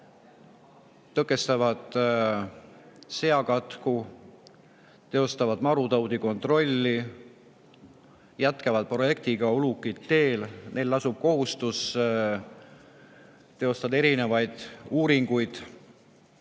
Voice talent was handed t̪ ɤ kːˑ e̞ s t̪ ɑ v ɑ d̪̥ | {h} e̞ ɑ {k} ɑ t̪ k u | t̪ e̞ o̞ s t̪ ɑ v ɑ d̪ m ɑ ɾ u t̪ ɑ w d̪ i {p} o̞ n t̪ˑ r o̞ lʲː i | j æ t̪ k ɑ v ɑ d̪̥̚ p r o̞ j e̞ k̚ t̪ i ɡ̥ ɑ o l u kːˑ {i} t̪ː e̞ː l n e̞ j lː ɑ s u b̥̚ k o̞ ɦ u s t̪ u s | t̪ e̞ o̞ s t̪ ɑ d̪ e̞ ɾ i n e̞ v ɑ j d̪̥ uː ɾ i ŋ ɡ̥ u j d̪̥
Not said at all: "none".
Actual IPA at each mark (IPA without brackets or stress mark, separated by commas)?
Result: s, k, k, i